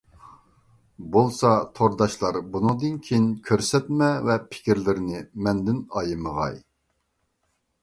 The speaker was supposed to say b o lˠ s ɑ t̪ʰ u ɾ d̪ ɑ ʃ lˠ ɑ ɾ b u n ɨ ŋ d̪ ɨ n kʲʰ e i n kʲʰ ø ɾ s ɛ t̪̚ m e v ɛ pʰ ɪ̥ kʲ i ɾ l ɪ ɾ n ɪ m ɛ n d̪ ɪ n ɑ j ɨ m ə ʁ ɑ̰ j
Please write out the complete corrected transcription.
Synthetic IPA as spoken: b o lˠ s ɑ t̪ʰ o ɾ d̪ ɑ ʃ lˠ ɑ ɾ b u n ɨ ŋ d̪ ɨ n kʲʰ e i n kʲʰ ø ɾ s ɛ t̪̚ m ɛ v ɛ pʰ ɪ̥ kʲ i ɾ l ɪ ɾ n ɪ m ɛ n d̪ ɪ n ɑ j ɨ m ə ʁ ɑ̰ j